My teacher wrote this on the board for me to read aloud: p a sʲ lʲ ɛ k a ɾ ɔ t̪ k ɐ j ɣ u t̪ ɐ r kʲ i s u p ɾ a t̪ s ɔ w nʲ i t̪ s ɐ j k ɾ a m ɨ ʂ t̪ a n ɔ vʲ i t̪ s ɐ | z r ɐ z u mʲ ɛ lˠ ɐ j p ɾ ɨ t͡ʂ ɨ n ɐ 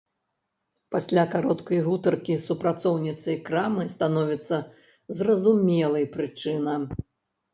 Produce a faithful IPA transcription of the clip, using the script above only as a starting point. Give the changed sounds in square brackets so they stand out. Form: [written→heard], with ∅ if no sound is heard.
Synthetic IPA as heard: p a sʲ lʲ [ɛ→a] k a ɾ ɔ t̪ k ɐ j ɣ u t̪ ɐ r kʲ i s u p ɾ a t̪ s ɔ w nʲ i t̪ s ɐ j k ɾ a m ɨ [ʂ→s] t̪ a n ɔ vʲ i t̪ [s→sː] ɐ | z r ɐ z u mʲ ɛ lˠ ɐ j p ɾ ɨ t͡ʂ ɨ n ɐ